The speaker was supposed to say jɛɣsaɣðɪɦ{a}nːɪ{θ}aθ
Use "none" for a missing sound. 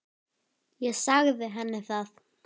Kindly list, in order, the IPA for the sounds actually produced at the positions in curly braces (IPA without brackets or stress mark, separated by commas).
ɛ, θ